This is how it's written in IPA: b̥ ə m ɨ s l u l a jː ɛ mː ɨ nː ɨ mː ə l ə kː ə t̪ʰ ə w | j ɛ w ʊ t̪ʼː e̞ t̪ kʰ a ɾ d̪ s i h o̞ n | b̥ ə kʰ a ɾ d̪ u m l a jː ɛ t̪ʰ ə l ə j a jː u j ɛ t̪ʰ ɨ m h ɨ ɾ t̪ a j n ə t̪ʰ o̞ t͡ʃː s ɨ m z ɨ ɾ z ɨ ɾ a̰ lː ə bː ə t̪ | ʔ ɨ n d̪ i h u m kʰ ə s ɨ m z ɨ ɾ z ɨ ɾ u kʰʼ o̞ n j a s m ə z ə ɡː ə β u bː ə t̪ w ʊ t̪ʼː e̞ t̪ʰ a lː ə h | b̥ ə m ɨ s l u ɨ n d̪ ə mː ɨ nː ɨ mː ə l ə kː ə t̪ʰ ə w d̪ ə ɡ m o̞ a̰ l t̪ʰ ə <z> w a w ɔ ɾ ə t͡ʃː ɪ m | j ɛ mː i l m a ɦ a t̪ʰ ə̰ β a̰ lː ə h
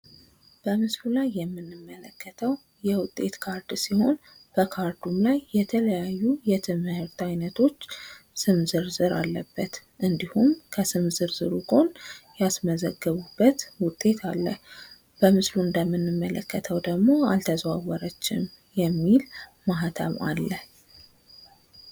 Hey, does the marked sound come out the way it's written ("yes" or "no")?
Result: yes